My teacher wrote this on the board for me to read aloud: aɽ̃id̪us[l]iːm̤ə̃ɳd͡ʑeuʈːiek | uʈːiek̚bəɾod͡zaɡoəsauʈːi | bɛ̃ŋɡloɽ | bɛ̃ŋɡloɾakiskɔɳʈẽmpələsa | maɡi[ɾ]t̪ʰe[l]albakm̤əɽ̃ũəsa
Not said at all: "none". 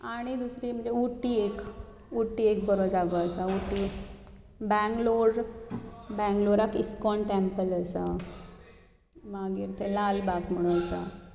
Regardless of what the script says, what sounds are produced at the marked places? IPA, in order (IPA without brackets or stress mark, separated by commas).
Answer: ɾ, ɾ, l